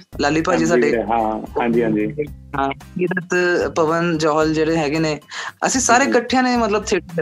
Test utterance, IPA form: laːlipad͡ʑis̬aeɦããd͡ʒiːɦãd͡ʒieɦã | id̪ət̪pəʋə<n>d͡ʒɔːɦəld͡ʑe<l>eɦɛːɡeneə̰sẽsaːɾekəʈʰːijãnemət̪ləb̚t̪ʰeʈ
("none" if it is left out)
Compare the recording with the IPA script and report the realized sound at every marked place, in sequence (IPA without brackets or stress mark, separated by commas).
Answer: n, ɽ